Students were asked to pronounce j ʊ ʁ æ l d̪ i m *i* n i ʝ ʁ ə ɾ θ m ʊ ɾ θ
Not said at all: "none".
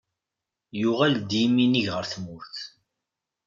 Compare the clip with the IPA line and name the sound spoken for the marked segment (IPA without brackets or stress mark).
i